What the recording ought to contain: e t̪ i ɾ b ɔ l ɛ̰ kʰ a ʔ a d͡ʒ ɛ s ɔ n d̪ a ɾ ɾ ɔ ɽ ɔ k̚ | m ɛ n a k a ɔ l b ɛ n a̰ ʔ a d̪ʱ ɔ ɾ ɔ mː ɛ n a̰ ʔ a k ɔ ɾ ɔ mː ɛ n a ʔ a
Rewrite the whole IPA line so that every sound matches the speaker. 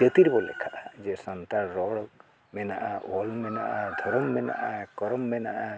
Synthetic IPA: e t̪ i ɾ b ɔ l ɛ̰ kʰ a ʔ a d͡ʒ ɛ s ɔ n t̪ a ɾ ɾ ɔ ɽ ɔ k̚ | m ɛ n a ʔ a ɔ l m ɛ n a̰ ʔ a d̪ʱ ɔ ɾ ɔ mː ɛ n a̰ ʔ a k ɔ ɾ ɔ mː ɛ n a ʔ a